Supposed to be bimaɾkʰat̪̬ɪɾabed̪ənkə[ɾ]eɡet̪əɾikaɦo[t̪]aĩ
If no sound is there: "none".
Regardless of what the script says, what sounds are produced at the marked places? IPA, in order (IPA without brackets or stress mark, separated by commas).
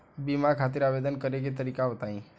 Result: ɾ, t̪